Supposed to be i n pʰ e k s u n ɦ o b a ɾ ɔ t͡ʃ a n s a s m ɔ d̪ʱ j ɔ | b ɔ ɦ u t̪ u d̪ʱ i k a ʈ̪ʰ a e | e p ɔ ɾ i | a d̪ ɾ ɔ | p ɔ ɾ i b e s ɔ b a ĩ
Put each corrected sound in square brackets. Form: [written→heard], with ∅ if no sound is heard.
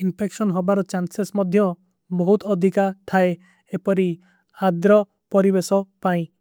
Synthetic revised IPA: i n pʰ e k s [u→ɔ] n ɦ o b a ɾ ɔ t͡ʃ a n s [a→e] s m ɔ d̪ʱ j ɔ | b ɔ ɦ u t̪ [u→ɔ] d̪ʱ i k a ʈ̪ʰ a e | e p ɔ ɾ i | a d̪ ɾ ɔ | p ɔ ɾ i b e s ɔ [b→p] a ĩ